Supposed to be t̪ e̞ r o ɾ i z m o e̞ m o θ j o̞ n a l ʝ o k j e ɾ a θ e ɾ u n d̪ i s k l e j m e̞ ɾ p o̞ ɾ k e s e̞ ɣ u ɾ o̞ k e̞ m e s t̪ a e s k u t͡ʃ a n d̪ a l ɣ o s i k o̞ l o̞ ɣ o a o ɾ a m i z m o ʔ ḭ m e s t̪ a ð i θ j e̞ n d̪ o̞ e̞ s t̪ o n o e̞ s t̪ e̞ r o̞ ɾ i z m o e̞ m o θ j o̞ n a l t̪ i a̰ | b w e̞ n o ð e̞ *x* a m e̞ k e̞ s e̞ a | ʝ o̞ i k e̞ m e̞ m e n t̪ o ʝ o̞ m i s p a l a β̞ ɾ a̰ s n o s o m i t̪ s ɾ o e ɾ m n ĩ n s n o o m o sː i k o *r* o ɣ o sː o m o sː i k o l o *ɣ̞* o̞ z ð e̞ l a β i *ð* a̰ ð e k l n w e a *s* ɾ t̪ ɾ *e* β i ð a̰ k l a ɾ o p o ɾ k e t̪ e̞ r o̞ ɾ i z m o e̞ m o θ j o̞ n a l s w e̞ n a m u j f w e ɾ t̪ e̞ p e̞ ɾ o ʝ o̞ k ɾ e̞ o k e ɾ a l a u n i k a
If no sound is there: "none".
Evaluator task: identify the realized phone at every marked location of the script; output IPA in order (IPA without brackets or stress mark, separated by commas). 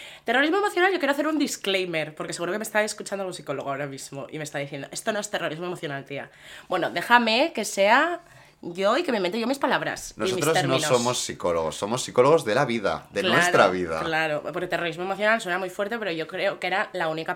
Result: x, l, ɣ̞, ð, s, a